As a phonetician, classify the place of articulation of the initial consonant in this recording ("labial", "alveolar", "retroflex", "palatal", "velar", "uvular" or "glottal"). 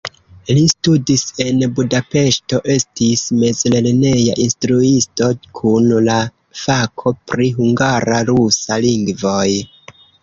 alveolar